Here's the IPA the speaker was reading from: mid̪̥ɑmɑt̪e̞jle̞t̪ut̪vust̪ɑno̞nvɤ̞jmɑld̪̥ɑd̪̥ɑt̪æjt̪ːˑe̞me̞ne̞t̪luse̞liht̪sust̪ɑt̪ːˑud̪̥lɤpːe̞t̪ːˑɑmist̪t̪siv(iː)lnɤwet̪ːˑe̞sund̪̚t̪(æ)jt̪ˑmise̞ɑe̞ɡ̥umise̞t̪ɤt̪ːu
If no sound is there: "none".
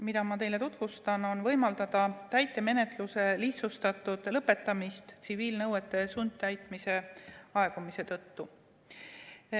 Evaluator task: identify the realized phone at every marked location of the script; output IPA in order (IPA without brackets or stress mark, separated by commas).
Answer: iː, æ